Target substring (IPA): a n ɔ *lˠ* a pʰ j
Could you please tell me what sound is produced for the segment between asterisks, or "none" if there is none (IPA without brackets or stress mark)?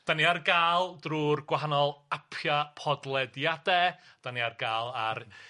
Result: lˠ